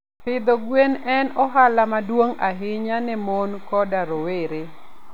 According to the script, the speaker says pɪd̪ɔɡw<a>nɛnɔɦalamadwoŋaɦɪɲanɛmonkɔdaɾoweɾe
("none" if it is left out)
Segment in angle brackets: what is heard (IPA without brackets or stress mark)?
e